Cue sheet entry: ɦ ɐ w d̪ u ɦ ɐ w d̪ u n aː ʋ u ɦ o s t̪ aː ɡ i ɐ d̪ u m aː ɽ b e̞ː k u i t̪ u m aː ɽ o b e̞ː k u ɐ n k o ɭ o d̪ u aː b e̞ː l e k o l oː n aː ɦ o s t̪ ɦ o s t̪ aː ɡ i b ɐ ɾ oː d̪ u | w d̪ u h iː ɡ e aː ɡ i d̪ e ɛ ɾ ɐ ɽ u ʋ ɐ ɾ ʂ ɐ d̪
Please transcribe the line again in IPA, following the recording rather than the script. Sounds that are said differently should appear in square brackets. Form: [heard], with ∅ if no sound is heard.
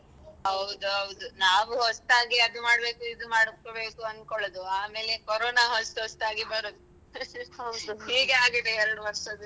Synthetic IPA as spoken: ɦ ɐ w d̪ u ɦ ɐ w d̪ u n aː ʋ u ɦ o s t̪ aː ɡ i ɐ d̪ u m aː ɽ b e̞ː k u i [d̪] u m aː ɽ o b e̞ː k u ɐ n k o ɭ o d̪ u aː [m] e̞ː l e k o [ɾ] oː n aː ɦ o s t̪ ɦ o s t̪ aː ɡ i b ɐ ɾ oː d̪ u | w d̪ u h iː ɡ e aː ɡ i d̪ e ɛ ɾ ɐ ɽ u ʋ ɐ ɾ ʂ ɐ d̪